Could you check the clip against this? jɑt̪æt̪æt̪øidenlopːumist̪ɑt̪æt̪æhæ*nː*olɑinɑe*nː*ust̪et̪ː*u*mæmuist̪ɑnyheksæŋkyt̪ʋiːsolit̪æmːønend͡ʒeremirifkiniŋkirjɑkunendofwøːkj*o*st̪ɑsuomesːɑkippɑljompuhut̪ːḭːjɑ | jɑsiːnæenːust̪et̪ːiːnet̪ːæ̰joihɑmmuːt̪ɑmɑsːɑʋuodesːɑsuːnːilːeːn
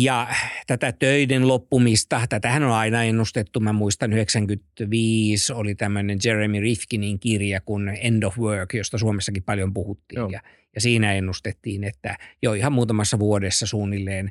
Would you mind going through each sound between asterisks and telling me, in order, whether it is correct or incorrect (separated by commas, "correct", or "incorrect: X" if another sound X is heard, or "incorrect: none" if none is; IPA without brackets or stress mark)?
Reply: incorrect: n, correct, correct, correct